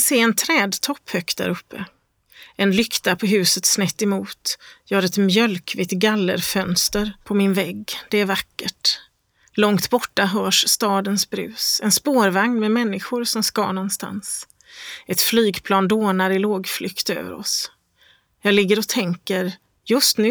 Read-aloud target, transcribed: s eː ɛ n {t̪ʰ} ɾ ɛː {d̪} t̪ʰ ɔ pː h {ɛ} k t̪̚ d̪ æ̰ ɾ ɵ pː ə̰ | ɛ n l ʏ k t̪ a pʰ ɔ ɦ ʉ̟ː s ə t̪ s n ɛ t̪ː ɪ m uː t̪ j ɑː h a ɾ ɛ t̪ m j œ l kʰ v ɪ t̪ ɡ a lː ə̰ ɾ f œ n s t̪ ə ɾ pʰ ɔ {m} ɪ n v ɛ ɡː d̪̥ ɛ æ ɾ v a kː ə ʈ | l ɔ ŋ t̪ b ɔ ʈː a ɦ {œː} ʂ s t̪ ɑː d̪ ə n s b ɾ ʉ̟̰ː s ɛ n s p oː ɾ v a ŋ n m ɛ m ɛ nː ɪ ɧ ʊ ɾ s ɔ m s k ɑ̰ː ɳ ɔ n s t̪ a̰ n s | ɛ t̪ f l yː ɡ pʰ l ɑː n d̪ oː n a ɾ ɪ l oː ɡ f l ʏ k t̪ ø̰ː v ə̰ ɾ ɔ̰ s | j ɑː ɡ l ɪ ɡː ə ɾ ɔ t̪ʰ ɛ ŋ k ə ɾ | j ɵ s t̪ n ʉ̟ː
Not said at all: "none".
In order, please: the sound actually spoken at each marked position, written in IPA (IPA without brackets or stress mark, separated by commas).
t̪ʰ, d̪, œ, m, œː